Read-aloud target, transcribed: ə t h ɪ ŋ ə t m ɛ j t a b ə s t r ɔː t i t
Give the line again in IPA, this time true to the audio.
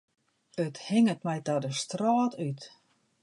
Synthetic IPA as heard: ə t h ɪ ŋ ə t m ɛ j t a d ə s t r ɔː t y t